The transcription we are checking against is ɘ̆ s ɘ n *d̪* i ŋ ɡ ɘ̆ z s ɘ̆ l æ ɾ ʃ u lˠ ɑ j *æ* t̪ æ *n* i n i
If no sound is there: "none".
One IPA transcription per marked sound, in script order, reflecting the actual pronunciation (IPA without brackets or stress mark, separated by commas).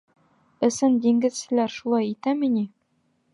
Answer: d̪, i, m